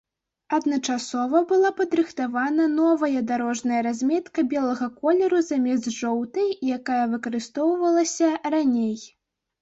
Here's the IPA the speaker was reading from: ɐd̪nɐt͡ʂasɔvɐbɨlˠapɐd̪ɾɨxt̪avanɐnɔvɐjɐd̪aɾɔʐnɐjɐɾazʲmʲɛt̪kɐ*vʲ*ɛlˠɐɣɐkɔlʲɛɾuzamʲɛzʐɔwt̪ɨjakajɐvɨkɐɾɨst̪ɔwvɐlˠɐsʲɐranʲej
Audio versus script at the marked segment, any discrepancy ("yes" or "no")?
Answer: yes